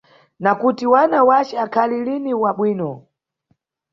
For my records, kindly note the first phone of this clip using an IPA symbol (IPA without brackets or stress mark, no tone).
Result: n